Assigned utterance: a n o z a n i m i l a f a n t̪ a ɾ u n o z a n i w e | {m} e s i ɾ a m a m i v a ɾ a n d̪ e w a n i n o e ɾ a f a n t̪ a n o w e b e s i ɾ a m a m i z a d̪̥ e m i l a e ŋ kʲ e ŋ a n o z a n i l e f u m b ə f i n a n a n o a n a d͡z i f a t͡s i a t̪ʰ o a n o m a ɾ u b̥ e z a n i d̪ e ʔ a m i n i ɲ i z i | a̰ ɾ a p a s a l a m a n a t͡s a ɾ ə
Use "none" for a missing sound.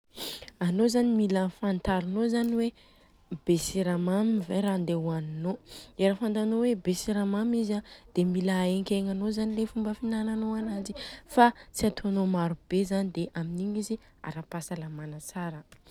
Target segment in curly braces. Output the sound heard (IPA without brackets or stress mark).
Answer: b